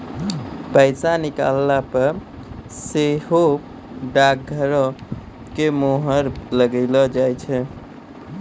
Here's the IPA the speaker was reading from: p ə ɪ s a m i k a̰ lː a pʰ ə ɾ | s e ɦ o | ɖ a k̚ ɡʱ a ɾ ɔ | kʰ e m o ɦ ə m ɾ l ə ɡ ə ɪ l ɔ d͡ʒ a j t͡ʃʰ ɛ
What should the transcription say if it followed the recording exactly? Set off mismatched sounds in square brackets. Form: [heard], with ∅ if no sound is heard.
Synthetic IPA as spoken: p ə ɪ s a [n] i k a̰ lː a [p] ə ɾ | s e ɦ o | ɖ a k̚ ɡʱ [ə] ɾ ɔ | [k] e m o ɦ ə [∅] ɾ l ə ɡ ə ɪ l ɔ d͡ʒ a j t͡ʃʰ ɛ